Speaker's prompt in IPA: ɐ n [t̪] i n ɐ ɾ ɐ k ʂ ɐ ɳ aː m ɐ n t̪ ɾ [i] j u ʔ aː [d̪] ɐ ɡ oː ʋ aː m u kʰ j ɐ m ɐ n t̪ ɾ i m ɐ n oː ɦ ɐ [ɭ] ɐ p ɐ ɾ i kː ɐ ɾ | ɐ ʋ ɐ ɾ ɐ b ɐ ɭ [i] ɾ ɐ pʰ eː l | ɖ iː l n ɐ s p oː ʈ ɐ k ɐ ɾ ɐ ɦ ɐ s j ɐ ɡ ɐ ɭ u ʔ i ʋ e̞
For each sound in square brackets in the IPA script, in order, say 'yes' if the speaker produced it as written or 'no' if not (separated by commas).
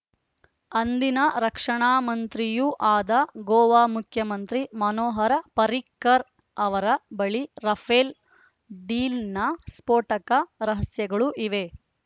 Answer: no, yes, yes, no, yes